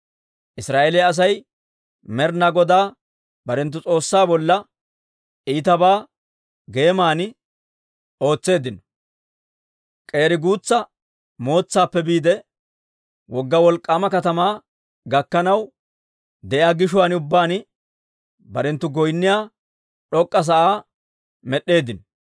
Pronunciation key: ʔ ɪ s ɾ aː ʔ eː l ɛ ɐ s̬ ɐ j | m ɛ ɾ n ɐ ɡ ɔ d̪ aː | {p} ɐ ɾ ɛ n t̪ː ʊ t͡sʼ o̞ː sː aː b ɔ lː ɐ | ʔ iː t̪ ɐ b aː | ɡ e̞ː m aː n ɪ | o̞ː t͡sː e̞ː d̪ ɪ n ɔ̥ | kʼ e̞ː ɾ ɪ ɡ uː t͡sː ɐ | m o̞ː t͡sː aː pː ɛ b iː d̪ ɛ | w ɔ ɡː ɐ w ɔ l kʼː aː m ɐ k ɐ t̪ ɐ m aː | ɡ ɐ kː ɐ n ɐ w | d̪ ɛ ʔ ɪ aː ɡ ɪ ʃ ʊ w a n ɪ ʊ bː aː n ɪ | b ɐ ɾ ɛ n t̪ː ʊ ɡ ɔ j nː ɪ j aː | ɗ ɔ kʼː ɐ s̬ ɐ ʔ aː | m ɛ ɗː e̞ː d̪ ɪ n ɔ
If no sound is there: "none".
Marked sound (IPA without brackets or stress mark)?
b